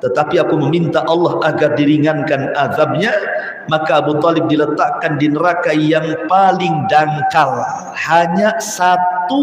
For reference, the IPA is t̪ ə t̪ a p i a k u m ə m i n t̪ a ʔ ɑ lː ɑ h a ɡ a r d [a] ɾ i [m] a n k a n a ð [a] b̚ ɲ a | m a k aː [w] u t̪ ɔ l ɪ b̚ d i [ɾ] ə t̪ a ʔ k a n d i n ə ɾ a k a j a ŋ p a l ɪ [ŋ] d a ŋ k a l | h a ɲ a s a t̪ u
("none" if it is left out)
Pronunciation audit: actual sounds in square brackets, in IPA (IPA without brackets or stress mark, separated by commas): i, ŋ, a, b, l, ŋ